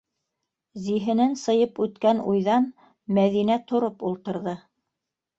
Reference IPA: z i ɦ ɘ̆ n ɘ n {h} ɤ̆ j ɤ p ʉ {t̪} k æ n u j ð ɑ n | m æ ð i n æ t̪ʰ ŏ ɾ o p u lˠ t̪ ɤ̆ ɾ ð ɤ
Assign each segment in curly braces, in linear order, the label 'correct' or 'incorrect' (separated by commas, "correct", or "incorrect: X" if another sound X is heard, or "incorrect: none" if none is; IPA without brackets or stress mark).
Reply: incorrect: s, correct